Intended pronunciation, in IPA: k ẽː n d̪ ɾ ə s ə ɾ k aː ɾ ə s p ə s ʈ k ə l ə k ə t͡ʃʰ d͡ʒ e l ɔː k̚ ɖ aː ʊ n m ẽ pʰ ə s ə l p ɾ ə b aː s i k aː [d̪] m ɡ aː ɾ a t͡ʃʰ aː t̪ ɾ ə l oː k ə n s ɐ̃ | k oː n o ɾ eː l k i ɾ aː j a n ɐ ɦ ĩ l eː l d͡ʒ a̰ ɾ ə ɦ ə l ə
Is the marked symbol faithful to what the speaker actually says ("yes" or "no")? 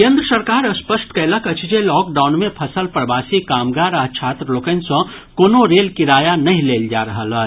no